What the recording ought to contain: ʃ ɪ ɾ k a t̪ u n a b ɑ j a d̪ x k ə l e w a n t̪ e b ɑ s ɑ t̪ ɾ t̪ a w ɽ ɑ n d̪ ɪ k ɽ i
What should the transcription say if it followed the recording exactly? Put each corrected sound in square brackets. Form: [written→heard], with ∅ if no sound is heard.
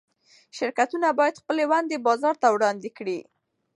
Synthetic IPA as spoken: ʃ ɪ ɾ k a t̪ u n a b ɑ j a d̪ x [k→p] ə l e w a n [t̪→d̪] e b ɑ [s→z] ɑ [t̪→∅] ɾ t̪ a w ɽ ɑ n d̪ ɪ k ɽ i